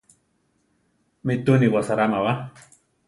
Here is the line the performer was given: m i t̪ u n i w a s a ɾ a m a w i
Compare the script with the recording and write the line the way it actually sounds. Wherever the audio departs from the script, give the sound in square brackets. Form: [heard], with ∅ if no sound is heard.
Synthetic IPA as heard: m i t̪ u n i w a s a ɾ a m a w [a]